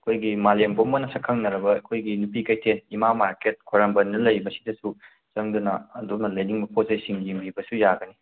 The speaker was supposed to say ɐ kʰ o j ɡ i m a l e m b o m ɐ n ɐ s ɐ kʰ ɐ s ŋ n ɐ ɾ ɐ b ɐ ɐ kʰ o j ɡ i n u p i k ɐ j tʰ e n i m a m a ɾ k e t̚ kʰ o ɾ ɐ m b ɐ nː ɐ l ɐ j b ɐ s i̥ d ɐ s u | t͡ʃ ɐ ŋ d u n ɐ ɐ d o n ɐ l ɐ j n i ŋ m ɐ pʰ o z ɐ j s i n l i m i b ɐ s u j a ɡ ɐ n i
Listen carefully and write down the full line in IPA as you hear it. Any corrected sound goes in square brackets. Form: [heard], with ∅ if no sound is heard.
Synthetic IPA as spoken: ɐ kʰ o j ɡ i m a l e m b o m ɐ n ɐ s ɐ kʰ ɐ [∅] ŋ n ɐ ɾ ɐ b ɐ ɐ kʰ o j ɡ i n u p i k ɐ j tʰ e n i m a m a ɾ k e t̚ kʰ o ɾ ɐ m b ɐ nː ɐ l ɐ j b ɐ s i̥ d ɐ s u | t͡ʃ ɐ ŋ d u n ɐ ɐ d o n ɐ l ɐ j n i ŋ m ɐ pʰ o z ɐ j s i [ŋ] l i m i b ɐ s u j a ɡ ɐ n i